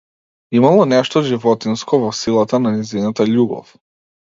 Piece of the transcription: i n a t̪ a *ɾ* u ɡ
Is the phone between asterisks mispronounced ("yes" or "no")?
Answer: yes